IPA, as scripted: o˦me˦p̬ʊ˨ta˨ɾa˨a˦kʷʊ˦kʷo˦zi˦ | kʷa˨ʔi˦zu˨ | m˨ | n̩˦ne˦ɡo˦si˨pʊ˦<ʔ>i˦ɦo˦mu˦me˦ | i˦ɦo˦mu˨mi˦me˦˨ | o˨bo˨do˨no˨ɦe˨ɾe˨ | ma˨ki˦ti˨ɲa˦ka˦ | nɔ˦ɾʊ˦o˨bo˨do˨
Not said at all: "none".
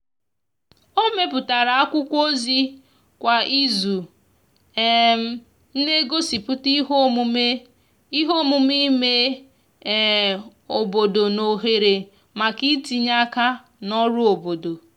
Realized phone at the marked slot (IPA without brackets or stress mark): t